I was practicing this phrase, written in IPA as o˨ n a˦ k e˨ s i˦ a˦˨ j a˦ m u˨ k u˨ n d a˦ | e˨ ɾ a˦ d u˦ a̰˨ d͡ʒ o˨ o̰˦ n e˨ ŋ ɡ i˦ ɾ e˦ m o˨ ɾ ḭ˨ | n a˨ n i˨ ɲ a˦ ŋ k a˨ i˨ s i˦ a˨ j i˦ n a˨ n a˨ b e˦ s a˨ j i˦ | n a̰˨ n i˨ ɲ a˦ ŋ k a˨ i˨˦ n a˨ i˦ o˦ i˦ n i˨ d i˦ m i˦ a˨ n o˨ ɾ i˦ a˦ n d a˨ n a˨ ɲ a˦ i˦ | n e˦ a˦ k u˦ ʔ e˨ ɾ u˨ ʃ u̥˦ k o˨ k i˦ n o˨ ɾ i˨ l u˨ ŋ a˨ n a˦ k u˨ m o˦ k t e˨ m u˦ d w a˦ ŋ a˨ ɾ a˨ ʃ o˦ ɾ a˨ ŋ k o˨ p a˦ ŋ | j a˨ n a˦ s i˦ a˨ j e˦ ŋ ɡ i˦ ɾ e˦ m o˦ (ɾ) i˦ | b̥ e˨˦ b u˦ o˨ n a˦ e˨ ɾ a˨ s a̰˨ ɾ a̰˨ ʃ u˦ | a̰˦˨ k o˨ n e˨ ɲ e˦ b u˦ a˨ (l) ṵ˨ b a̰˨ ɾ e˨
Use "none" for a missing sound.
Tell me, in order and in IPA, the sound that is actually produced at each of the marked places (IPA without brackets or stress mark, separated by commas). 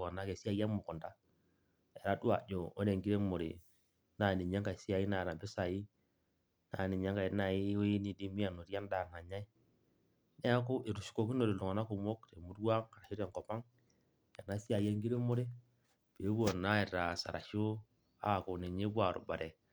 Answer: ɾ, ɾ